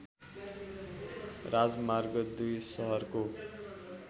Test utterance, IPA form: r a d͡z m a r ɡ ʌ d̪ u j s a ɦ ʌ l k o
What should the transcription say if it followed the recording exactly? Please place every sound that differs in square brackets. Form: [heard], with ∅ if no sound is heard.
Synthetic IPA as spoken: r a d͡z m a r ɡ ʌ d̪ u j s [ʌ] ɦ ʌ [r] k o

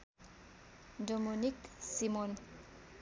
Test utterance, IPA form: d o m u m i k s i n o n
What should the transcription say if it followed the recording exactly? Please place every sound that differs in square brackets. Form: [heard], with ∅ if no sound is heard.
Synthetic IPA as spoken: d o m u [n] i k s i [m] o n

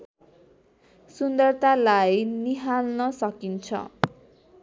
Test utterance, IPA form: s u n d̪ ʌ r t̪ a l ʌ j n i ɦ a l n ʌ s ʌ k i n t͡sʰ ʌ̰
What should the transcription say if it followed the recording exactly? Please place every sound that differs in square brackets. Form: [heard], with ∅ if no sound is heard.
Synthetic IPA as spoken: s u n d̪ ʌ r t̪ a l [a] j n i ɦ a l n ʌ s ʌ k i n t͡sʰ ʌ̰

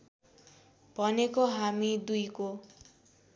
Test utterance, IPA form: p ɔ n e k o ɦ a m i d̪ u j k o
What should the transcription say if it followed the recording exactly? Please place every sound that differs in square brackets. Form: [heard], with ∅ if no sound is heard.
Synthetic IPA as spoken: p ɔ n e k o ɦ a m i d̪ u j k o

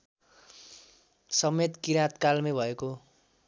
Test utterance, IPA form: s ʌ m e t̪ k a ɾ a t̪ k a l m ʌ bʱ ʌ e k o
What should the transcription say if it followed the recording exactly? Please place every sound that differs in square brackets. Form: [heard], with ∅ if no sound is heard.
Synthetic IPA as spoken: s ʌ m e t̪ k [i] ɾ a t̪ k a l m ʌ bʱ ʌ e k o

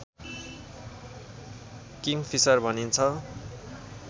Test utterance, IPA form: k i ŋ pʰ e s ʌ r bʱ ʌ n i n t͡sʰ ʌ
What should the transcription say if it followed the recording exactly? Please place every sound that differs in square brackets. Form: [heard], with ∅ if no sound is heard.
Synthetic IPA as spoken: k i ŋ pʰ [i] s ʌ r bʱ ʌ n i n t͡sʰ ʌ

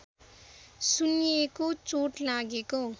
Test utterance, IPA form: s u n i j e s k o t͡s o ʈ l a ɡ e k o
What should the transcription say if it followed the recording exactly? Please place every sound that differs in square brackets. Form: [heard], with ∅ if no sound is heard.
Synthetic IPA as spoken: s u n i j e [∅] k o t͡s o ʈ l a ɡ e k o

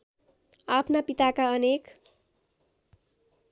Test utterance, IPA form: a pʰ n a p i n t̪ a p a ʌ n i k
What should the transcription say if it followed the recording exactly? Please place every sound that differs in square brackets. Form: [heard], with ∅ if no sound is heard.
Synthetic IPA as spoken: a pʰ n a p i [∅] t̪ a [k] a ʌ n [e] k

